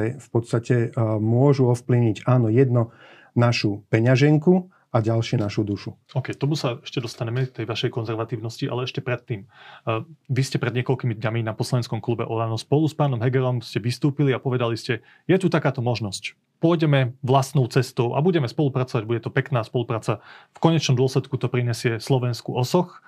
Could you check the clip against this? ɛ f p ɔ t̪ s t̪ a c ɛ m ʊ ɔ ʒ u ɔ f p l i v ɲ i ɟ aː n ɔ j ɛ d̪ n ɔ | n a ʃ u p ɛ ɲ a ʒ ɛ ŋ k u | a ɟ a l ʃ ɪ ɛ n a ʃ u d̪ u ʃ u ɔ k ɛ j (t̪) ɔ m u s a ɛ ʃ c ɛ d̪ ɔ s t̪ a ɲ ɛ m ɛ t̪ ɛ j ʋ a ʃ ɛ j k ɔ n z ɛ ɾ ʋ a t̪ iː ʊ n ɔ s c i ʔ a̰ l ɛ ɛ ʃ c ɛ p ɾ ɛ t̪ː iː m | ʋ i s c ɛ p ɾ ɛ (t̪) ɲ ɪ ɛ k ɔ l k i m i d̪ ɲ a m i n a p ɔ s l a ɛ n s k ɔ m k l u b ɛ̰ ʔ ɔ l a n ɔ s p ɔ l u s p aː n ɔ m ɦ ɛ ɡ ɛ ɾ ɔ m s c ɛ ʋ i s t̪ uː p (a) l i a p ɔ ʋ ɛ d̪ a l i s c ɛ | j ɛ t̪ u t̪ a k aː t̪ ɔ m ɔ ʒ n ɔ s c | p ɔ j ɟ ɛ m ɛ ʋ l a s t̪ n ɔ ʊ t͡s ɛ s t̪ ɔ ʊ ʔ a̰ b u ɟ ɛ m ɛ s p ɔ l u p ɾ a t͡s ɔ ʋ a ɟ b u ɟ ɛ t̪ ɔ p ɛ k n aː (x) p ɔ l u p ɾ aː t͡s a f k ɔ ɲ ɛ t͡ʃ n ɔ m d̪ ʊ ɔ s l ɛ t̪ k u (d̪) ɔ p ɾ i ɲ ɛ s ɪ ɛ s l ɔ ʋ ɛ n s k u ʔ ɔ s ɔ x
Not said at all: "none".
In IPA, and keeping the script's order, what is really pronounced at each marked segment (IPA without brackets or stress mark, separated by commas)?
t̪, d̪, i, s, t̪